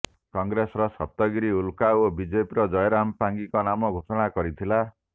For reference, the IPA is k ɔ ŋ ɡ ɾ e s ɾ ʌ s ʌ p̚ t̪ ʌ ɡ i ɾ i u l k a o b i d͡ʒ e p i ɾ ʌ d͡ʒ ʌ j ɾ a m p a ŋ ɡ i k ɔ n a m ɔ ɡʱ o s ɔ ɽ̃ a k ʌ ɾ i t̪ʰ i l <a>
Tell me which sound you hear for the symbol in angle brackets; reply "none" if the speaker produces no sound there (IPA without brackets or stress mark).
a